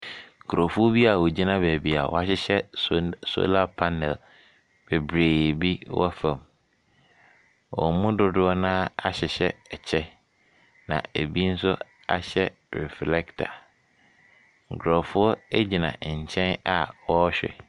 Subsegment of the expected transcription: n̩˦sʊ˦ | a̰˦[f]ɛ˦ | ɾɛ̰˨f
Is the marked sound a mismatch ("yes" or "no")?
yes